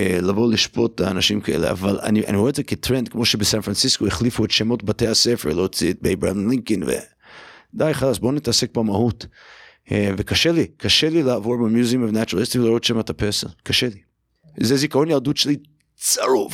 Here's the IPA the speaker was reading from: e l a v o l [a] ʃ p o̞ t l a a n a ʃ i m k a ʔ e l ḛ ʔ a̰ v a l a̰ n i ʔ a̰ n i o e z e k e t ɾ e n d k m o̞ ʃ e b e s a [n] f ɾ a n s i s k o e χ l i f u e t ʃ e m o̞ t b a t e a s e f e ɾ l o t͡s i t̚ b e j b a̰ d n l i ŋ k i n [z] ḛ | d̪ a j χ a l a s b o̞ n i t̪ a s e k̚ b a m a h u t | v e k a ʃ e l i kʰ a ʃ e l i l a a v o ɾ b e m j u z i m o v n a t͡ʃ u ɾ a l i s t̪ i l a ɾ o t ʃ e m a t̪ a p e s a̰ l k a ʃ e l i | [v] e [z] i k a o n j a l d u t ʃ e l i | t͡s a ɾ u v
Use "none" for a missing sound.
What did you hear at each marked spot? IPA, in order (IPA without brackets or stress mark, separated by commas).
i, n, v, z, z